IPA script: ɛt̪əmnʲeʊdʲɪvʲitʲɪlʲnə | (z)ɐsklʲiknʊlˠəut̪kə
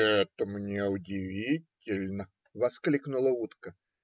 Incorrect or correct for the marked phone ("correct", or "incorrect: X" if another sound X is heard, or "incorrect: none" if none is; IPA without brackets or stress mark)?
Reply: incorrect: v